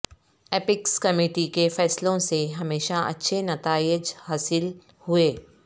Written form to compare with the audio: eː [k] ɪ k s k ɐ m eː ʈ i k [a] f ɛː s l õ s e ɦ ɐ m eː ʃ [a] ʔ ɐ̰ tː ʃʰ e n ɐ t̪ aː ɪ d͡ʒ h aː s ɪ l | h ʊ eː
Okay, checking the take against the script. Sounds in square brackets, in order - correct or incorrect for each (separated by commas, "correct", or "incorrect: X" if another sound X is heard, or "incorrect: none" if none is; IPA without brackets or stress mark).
incorrect: p, incorrect: e, correct